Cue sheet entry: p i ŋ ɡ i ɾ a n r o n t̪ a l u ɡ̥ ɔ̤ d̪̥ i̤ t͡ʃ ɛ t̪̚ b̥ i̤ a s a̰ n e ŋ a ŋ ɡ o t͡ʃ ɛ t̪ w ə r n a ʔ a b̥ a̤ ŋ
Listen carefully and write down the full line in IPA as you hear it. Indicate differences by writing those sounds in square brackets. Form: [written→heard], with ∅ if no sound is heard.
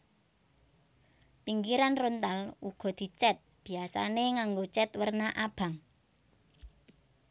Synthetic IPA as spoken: p i ŋ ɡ i ɾ a n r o n t̪ a l u ɡ̥ ɔ̤ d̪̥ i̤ t͡ʃ ɛ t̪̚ b̥ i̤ a s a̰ n e ŋ a ŋ ɡ o t͡ʃ ɛ t̪ w ə r n a ʔ a b̥ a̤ ŋ